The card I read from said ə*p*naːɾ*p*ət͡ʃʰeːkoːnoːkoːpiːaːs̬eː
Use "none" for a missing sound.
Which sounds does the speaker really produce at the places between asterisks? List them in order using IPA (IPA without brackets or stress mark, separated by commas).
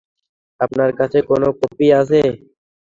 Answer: p, k